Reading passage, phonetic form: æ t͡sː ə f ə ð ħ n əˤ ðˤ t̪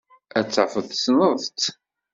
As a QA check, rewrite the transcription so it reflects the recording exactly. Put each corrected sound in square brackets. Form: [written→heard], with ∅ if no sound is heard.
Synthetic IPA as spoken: æ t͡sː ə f ə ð [ħ→s] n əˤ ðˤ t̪